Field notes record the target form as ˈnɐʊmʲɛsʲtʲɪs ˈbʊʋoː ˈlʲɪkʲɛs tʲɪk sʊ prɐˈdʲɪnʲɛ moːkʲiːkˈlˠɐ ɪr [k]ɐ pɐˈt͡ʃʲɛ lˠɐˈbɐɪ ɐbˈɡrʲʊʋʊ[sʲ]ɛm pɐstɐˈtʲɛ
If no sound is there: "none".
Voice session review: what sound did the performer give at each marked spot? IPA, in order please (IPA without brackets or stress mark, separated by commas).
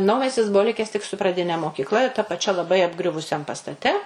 t, sʲ